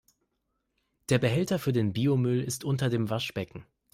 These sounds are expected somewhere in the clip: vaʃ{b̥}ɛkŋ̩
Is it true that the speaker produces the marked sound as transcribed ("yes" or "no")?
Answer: yes